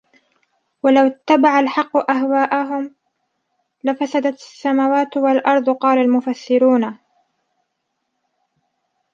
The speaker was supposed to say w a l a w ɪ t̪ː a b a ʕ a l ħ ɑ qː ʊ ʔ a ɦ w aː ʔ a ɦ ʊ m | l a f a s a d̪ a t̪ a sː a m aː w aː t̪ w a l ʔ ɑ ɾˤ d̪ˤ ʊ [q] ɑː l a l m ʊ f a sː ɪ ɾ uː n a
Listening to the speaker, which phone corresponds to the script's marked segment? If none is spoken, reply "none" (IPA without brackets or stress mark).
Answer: q